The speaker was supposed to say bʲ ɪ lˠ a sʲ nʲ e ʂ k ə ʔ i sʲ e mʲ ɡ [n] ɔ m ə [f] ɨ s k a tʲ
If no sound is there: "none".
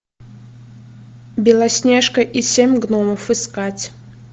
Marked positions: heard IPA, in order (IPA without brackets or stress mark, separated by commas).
n, f